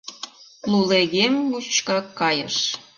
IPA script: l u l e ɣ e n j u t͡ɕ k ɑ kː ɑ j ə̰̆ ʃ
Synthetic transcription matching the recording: l u l e ɣ e m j u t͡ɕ k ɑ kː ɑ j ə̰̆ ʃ